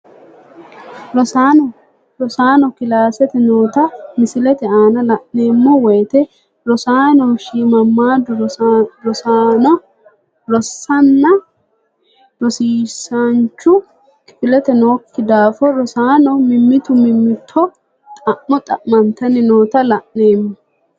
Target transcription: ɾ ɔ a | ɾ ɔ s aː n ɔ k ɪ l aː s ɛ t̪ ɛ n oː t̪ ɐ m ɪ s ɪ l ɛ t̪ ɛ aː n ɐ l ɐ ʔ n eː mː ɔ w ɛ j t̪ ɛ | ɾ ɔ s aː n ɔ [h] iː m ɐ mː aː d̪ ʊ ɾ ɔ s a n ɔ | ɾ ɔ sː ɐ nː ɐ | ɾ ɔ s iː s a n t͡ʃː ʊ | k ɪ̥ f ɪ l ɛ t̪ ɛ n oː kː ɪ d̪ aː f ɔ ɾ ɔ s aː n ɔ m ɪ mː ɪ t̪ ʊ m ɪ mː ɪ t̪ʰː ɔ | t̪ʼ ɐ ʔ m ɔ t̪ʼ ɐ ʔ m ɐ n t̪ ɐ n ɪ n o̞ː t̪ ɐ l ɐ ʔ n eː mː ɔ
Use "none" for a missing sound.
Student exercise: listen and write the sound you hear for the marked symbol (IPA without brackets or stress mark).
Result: ʃ